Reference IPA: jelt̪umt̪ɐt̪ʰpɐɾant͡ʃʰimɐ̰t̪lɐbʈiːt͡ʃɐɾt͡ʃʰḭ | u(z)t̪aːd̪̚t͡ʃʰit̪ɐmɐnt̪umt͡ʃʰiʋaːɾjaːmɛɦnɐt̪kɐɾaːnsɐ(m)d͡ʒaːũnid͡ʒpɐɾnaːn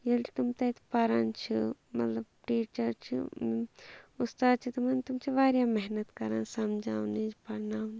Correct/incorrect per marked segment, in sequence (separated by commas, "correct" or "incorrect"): incorrect, correct